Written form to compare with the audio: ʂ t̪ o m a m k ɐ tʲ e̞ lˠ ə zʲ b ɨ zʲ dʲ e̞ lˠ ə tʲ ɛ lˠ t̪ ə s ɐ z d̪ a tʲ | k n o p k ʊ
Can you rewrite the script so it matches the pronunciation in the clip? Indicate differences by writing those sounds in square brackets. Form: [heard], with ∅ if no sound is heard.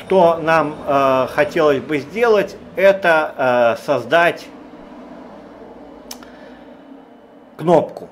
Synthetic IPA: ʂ t̪ o [n] a m [x] ɐ tʲ e̞ lˠ ə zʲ b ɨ zʲ dʲ e̞ lˠ ə tʲ ɛ [∅] t̪ ə s ɐ z d̪ a tʲ | k n o p k ʊ